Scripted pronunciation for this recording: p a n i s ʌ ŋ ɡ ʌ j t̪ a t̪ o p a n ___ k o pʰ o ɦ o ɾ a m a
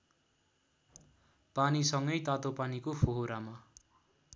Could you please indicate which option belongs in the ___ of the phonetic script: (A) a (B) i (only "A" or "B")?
B